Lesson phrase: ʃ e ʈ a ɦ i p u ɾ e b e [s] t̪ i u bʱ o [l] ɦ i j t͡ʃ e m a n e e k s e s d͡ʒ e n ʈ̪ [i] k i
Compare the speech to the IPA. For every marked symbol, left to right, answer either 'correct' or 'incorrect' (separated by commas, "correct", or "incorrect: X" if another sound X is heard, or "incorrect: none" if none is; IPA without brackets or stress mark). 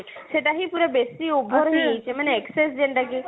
correct, incorrect: ɾ, incorrect: a